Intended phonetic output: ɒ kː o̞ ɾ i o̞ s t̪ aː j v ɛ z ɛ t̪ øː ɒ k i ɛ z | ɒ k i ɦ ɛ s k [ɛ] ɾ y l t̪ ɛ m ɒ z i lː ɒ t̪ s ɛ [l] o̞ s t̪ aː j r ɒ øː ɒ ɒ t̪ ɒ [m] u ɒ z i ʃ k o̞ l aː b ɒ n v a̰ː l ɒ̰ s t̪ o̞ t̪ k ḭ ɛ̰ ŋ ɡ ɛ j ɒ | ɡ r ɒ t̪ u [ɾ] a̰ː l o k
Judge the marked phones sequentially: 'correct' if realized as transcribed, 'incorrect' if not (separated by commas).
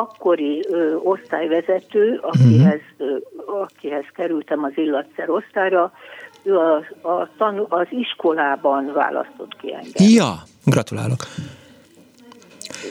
correct, incorrect, incorrect, incorrect